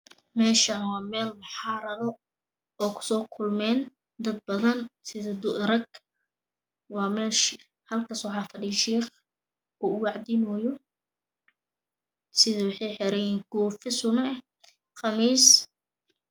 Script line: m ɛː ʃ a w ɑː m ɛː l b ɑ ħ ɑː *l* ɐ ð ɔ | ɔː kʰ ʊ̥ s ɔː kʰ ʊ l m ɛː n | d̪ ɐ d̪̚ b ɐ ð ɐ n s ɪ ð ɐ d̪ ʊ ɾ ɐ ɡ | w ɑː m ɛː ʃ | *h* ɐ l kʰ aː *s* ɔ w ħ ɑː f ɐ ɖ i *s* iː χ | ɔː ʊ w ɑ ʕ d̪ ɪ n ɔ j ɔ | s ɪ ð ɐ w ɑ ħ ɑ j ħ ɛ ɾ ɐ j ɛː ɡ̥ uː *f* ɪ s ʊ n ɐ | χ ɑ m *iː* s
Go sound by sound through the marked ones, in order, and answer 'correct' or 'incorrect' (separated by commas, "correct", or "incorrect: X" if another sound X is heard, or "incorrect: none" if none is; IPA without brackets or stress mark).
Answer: incorrect: ɾ, correct, correct, incorrect: ʃ, correct, correct